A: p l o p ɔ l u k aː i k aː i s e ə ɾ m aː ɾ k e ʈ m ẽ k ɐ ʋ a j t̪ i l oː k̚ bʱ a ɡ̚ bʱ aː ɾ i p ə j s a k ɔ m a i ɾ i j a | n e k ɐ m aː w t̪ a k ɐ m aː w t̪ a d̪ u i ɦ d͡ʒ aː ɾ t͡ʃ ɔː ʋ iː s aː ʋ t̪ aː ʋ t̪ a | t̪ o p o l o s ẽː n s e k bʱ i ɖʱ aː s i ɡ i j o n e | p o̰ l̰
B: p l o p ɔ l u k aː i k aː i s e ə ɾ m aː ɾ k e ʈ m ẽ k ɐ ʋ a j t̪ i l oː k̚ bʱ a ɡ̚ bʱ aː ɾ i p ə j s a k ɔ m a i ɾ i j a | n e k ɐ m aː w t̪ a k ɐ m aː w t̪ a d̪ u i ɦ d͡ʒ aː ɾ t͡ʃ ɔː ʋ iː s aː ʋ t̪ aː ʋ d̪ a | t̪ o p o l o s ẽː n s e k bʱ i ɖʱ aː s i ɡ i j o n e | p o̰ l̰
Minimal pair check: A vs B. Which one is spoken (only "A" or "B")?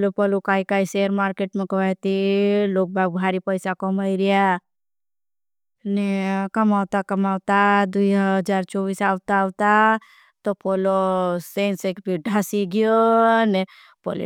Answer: A